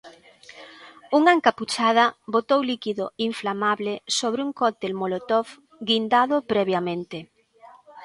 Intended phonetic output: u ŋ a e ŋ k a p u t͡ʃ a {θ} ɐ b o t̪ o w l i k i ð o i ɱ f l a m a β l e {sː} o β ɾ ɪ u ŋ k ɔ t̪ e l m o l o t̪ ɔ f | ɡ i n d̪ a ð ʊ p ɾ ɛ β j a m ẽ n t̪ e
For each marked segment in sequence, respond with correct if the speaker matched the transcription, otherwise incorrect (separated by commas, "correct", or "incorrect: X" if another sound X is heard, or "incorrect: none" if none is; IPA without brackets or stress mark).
incorrect: ð, incorrect: s